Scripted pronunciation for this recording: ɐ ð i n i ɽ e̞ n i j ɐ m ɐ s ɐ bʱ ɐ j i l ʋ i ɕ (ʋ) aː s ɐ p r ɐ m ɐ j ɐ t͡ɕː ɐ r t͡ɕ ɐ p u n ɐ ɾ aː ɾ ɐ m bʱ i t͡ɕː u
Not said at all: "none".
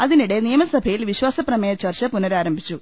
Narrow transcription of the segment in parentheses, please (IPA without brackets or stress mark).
w